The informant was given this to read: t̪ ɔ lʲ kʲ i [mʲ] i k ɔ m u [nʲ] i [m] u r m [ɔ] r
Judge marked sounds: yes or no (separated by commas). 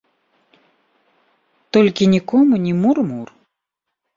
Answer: no, yes, yes, no